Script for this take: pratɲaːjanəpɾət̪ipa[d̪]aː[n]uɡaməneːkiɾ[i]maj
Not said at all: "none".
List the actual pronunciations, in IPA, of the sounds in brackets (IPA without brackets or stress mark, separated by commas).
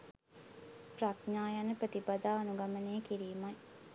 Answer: d̪, n, iː